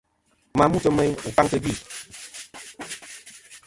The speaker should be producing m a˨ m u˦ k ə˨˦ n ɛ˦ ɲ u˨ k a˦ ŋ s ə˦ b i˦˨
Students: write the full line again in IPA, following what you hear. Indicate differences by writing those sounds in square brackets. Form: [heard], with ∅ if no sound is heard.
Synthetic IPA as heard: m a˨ m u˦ [t] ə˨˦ [m] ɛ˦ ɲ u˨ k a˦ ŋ [t] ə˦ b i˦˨